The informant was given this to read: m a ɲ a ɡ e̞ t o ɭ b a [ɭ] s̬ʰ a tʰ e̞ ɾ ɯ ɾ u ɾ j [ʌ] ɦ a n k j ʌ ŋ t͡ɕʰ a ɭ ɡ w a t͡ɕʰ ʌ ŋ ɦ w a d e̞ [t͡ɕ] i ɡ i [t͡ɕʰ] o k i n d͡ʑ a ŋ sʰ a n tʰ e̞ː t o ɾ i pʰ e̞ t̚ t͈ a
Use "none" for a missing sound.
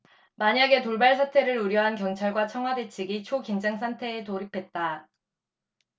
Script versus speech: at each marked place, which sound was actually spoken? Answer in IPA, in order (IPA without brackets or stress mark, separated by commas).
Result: ɭ, ʌ, t͡ɕʰ, t͡ɕʰ